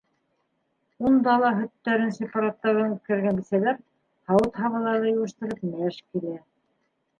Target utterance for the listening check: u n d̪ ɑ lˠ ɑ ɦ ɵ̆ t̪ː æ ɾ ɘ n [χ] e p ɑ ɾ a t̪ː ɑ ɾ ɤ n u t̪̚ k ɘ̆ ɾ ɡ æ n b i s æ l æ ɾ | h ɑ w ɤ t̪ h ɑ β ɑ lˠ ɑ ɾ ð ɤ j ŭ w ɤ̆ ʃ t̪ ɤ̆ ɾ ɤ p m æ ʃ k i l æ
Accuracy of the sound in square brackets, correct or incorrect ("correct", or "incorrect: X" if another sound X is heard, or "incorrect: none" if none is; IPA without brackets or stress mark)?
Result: incorrect: s